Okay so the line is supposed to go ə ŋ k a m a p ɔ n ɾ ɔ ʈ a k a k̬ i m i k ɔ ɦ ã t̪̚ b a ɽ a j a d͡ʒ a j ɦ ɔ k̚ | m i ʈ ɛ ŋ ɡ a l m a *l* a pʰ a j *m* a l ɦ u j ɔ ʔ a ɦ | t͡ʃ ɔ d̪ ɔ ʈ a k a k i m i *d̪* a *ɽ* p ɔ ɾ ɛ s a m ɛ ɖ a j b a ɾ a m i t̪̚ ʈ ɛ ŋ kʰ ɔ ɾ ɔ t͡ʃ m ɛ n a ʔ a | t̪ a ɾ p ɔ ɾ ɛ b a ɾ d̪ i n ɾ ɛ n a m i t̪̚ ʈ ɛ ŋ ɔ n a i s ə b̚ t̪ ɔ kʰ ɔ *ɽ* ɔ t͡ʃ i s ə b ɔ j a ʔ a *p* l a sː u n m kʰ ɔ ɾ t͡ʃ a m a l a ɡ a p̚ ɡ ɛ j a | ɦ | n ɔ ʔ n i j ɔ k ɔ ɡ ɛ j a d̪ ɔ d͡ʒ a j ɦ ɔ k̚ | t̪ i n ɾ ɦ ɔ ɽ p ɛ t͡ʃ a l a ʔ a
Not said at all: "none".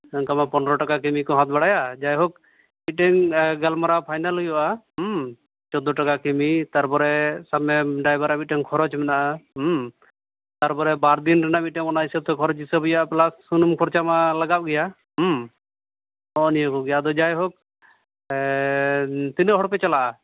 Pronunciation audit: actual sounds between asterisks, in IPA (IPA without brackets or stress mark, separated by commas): ɾ, n, t̪, ɾ, ɾ, p